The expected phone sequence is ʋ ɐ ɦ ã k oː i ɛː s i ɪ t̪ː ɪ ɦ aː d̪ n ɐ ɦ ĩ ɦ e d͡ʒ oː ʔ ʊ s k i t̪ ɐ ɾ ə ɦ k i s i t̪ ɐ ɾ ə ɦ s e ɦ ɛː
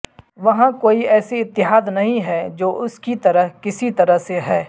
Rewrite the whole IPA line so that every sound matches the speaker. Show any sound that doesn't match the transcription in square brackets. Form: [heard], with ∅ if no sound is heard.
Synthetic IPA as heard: ʋ ɐ ɦ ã k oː i ɛː s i ɪ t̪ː ɪ ɦ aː d̪ n ɐ ɦ ĩ ɦ [ɛ] d͡ʒ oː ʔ ʊ s k i t̪ ɐ ɾ ə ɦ k [ɪ] s i t̪ ɐ ɾ ə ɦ s e ɦ ɛː